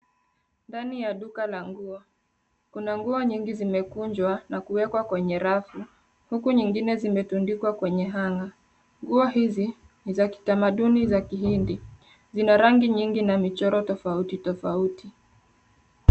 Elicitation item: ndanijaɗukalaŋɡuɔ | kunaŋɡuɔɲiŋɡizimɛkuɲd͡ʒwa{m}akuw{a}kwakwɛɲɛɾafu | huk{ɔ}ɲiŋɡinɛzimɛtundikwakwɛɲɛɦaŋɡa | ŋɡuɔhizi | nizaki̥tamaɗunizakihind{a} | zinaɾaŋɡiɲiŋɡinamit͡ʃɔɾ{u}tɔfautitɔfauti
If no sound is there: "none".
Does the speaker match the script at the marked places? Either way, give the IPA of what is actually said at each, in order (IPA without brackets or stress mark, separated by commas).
n, ɛ, u, i, ɔ